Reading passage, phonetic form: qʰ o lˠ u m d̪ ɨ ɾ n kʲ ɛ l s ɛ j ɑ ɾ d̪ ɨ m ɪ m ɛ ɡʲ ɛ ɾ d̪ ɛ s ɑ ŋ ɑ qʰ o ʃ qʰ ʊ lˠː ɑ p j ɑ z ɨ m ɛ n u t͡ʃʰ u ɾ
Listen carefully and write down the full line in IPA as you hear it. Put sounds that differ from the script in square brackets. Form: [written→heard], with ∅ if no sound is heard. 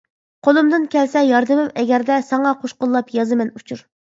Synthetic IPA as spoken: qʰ o lˠ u m d̪ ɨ [ɾ→∅] n kʲ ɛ l s ɛ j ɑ ɾ d̪ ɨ m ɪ m ɛ ɡʲ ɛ ɾ d̪ ɛ s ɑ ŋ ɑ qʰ o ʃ [qʰ→q] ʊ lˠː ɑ p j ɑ z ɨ m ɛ n u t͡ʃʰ u ɾ

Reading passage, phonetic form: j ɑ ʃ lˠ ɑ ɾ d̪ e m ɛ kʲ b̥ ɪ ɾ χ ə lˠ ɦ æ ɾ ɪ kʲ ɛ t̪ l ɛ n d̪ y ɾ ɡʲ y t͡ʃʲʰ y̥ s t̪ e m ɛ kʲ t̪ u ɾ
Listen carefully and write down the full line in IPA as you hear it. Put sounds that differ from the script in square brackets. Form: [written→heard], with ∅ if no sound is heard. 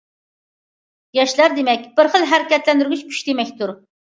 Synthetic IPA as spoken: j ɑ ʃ lˠ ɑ ɾ d̪ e m ɛ kʲ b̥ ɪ ɾ χ ə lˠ ɦ æ ɾ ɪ kʲ ɛ t̪ l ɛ n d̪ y ɾ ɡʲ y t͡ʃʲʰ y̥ [s→ʃ] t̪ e m ɛ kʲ t̪ u ɾ

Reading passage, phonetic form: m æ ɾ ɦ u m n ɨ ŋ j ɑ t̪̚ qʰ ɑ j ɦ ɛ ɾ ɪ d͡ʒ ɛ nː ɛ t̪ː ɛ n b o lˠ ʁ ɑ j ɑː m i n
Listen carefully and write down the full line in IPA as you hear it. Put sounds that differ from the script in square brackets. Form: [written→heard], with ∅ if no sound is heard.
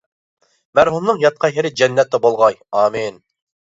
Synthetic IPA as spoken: m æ ɾ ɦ u m n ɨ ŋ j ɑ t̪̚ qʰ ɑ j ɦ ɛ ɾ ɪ d͡ʒ ɛ nː ɛ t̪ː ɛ [n→∅] b o lˠ ʁ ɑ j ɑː m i n

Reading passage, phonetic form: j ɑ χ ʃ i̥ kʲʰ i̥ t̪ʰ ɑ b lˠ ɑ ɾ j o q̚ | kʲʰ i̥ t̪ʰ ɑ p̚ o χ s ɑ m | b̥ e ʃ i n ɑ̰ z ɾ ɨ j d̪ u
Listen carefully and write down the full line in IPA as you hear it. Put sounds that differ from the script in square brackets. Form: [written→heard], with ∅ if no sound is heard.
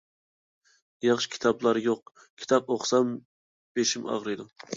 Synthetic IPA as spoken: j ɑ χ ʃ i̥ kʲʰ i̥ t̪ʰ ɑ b lˠ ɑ ɾ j o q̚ | kʲʰ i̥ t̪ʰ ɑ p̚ o χ s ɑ m | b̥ e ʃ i [n→m] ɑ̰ [z→ʁ] ɾ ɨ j d̪ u

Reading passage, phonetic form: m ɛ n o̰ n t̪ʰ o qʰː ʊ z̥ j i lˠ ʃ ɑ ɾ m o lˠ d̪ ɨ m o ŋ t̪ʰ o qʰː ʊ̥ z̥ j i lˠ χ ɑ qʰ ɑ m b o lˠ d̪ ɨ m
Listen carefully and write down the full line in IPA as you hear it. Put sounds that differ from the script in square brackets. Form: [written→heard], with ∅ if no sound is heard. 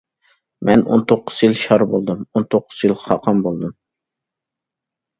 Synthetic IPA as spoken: m ɛ n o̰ n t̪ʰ o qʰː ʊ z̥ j i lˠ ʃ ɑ ɾ [m→b] o lˠ d̪ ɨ m o [ŋ→n] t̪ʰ o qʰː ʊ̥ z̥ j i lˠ χ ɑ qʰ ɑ m b o lˠ d̪ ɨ m

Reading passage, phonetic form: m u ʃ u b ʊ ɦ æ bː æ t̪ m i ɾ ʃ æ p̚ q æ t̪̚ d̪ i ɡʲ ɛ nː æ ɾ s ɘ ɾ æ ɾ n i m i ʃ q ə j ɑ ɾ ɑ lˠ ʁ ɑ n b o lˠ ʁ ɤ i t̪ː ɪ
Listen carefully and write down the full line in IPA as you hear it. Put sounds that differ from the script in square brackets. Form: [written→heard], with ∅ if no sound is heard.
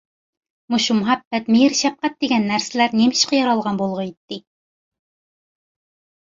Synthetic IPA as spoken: m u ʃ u [b→m] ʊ ɦ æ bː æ t̪ m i ɾ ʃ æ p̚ q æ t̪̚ d̪ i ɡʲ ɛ nː æ ɾ s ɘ [ɾ→l] æ ɾ n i m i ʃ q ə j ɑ ɾ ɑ lˠ ʁ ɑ n b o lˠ ʁ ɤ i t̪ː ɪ

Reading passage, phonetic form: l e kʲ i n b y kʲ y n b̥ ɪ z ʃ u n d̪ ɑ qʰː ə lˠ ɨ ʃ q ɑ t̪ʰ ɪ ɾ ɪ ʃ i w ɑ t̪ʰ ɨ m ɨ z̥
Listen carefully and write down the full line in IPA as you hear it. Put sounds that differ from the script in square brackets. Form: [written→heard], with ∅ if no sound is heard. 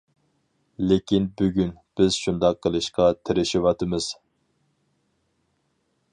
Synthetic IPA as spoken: l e kʲ i n b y [kʲ→ɡʲ] y n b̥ ɪ z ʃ u n d̪ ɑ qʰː ə lˠ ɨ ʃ q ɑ t̪ʰ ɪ ɾ ɪ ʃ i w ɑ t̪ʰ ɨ m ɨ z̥

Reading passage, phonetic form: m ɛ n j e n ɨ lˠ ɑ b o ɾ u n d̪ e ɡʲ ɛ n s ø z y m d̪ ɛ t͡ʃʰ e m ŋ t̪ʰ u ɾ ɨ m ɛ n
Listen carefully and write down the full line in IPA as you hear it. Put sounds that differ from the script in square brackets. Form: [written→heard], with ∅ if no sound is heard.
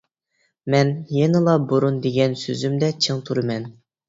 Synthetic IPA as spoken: m ɛ n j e n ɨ lˠ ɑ b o ɾ u n d̪ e ɡʲ ɛ n s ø z y m d̪ ɛ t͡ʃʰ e [m→∅] ŋ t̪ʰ u ɾ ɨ m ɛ n

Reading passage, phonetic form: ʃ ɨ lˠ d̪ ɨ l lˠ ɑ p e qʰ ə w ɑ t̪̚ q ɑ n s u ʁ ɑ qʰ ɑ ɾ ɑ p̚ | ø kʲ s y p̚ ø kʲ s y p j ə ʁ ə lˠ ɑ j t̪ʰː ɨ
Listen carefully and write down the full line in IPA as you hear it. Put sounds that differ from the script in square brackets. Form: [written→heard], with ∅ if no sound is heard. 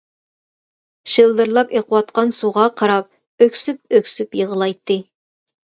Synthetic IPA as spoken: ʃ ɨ lˠ d̪ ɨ [l→ɾ] lˠ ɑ p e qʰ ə w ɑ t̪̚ q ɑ n s u ʁ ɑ qʰ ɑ ɾ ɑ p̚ | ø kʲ s y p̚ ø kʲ s y p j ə ʁ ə lˠ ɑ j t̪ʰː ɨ

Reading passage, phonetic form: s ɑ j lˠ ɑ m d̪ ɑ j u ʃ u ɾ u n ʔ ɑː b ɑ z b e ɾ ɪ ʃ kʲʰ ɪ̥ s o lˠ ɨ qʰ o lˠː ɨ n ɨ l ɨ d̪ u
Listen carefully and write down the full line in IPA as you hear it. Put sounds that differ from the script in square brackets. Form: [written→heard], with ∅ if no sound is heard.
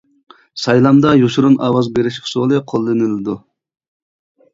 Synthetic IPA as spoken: s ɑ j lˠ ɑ m d̪ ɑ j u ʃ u ɾ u n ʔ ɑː [b→w] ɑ z b e ɾ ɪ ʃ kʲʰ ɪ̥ s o lˠ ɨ qʰ o lˠː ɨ n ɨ l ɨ d̪ u

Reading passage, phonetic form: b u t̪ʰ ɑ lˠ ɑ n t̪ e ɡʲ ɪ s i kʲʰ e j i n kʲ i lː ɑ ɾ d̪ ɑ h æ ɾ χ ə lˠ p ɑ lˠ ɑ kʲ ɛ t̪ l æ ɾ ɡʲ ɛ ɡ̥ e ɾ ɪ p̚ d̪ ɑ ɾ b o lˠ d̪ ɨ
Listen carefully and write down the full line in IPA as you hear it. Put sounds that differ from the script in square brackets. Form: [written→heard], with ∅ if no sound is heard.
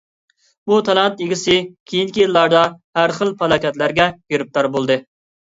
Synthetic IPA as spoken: b u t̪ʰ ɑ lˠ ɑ n t̪ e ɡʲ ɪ s [i→ɪ] kʲʰ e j i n kʲ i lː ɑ ɾ d̪ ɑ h æ ɾ χ ə lˠ p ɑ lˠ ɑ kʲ ɛ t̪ l æ ɾ ɡʲ ɛ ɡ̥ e ɾ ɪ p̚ [d̪→t̪] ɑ ɾ b o lˠ d̪ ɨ

